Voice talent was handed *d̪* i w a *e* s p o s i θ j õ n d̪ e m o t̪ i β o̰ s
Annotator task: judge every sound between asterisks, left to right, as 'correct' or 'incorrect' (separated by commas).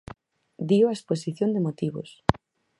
correct, correct